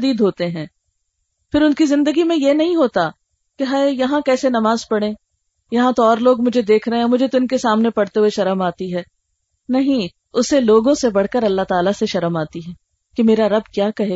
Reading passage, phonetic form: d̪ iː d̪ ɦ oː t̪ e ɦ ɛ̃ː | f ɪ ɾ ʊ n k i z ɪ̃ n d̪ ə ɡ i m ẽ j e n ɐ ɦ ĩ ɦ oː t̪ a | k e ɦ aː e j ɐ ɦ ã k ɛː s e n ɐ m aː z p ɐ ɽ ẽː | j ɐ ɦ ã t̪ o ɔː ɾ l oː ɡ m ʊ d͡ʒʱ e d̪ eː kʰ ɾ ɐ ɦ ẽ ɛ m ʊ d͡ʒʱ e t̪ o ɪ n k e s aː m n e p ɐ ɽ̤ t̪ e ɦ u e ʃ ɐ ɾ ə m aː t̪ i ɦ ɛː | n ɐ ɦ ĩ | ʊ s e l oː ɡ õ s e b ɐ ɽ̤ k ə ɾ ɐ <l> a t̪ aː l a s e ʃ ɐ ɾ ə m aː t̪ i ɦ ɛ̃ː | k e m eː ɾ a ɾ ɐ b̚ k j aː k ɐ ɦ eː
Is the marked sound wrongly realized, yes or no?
yes